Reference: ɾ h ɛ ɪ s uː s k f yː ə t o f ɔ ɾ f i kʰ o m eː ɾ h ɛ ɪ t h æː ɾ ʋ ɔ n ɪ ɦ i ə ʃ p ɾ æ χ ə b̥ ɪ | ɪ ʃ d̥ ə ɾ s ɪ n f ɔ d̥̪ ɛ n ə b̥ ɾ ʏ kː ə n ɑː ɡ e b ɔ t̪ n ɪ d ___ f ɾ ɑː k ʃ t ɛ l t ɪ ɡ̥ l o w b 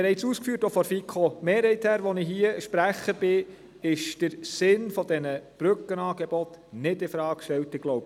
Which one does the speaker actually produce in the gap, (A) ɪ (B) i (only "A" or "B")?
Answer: A